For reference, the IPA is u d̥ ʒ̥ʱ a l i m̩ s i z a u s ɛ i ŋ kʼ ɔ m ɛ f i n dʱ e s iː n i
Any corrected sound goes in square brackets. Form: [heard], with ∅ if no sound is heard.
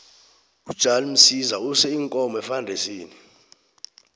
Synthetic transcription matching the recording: u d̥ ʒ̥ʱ a l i m̩ s i z a u s ɛ i ŋ kʼ ɔ m ɛ f [a] n dʱ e s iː n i

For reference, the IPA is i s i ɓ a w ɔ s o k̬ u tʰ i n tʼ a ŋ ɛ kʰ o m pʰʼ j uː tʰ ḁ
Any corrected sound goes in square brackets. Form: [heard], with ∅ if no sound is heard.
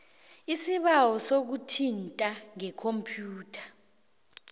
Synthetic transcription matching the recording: i s i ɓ a w ɔ s o k̬ u tʰ i n tʼ a ŋ ɛ kʰ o m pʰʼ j uː tʰ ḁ

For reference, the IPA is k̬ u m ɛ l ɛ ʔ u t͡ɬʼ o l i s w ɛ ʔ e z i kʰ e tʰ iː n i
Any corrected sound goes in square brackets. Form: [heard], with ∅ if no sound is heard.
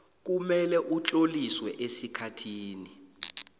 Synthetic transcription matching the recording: k̬ u m ɛ l ɛ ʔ u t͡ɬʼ o l i s w ɛ ʔ e [s] i kʰ [a] tʰ iː n i

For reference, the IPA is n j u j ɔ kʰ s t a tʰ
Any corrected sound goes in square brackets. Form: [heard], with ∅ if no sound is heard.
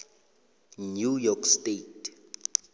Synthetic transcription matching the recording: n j u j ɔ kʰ s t [e] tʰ

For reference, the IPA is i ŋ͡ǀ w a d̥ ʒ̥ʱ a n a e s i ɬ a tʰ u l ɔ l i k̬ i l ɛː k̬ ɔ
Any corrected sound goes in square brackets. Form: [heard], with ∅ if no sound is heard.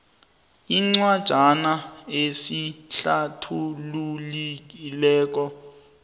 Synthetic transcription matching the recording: i ŋ͡ǀ w a d̥ ʒ̥ʱ a n a e s i ɬ a tʰ u l [u] l i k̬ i l ɛː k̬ ɔ

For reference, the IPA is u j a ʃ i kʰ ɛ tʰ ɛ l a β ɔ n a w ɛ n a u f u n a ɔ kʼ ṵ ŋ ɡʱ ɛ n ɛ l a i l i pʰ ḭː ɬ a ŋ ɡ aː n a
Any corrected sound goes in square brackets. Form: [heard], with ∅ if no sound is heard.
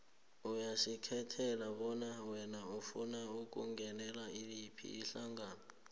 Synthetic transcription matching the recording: u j a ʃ i kʰ ɛ tʰ ɛ l a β ɔ n a w ɛ n a u f u n a [u] kʼ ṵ ŋ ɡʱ ɛ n ɛ l a i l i pʰ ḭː ɬ a ŋ ɡ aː n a

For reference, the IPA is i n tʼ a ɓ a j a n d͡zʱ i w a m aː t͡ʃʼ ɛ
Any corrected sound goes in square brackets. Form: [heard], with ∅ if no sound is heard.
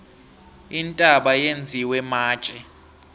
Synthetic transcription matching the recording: i n tʼ a ɓ a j [e] n d͡zʱ i w [ɛ] m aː t͡ʃʼ ɛ

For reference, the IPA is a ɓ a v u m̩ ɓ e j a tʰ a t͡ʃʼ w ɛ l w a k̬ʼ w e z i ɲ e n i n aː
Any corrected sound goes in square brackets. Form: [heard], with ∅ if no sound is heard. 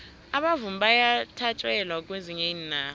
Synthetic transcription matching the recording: a ɓ a v u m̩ ɓ [a] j a tʰ a t͡ʃʼ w ɛ l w a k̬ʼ w e z i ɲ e n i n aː

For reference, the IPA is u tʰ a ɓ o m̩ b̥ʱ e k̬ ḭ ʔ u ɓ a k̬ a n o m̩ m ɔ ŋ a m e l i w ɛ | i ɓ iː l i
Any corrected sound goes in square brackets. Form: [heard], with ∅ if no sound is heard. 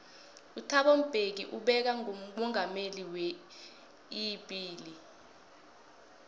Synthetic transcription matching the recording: u tʰ a ɓ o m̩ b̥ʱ e k̬ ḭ ʔ u ɓ [ɛ] k̬ a [ŋ] o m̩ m ɔ ŋ a m e l i w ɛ | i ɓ iː l i

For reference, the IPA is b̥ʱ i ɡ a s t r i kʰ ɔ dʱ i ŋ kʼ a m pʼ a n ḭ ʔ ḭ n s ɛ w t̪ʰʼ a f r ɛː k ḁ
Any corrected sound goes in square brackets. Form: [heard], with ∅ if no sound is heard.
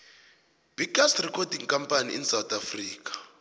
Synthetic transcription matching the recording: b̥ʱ i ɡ a s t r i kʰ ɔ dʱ i ŋ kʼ a m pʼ a n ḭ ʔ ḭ n s [a] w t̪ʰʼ a f r [iː] k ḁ

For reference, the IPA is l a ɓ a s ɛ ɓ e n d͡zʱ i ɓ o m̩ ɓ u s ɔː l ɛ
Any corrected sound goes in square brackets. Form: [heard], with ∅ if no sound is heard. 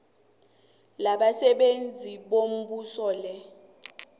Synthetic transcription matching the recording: l a ɓ a s ɛ ɓ e n d͡zʱ i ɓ o m̩ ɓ u s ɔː l ɛ

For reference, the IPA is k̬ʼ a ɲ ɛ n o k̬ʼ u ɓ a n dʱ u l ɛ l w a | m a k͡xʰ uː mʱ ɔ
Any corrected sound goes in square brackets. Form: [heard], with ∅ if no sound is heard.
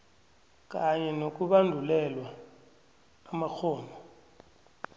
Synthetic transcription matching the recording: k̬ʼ a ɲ ɛ n o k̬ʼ u ɓ a n dʱ u l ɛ l w a | m a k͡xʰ [ɔː] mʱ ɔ

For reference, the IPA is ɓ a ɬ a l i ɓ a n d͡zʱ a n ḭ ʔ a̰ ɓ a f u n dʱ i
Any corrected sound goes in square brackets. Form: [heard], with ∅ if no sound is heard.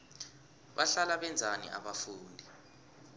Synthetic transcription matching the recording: ɓ a ɬ a l [a] ɓ [ɛ] n d͡zʱ a n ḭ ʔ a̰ ɓ a f [uː] n dʱ i

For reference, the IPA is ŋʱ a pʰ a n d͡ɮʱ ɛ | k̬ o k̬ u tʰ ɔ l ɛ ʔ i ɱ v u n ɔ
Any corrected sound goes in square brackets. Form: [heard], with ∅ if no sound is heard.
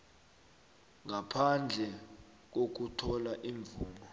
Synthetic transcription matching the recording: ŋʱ a pʰ a n d͡ɮʱ ɛ | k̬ o k̬ u tʰ ɔ l [a] ʔ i ɱ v [uː] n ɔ

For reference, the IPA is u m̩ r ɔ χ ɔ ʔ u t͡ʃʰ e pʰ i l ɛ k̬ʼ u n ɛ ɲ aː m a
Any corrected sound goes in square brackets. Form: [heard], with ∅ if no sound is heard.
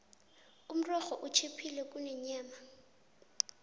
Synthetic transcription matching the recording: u m̩ r ɔ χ ɔ ʔ u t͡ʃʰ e pʰ i l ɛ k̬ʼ u n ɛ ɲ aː m a

